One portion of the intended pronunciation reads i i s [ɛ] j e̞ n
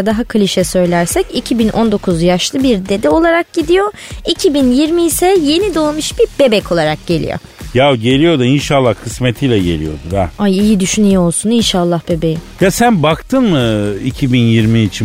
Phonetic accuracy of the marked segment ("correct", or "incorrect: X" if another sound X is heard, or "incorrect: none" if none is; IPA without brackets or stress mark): correct